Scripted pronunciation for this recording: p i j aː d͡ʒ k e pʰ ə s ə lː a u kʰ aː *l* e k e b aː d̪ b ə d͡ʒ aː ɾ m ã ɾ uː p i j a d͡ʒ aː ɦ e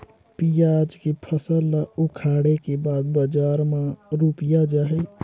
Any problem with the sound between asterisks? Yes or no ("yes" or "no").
yes